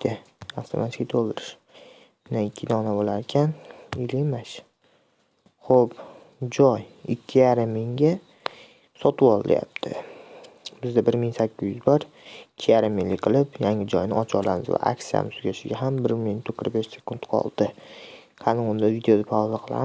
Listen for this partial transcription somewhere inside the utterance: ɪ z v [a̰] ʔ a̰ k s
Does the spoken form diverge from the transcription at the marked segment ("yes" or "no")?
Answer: no